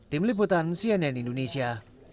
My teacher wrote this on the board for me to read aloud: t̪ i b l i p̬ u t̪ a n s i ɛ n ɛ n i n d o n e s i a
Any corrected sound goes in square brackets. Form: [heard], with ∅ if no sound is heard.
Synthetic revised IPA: t̪ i [m] l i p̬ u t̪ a n s i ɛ n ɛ n i n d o n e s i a